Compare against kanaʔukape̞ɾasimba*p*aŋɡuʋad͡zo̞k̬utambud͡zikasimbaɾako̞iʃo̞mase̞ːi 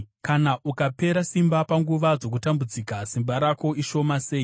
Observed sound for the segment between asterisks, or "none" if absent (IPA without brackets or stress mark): p